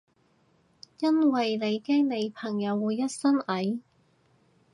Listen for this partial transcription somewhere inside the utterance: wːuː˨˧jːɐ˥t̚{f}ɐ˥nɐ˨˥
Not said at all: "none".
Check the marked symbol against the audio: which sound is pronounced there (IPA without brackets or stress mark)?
s